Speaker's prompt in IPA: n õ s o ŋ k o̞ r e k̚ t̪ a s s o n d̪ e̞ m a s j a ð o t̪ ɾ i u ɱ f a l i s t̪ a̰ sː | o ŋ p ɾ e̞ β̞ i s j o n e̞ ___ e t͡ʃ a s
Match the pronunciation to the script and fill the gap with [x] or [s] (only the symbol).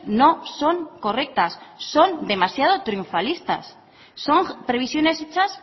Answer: s